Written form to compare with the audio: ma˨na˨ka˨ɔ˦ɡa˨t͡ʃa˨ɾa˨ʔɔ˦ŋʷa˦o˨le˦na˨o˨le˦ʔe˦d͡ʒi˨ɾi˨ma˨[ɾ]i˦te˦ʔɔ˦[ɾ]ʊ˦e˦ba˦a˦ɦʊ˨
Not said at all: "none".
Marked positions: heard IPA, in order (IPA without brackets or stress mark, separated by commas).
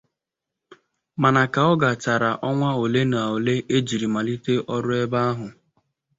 l, ɾ